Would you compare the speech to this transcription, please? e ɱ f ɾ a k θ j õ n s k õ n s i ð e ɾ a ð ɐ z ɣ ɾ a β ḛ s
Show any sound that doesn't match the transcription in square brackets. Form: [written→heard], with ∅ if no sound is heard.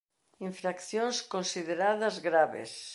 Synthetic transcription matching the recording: [e→i] ɱ f ɾ a k θ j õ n s k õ n s i ð e ɾ a ð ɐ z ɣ ɾ a β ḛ s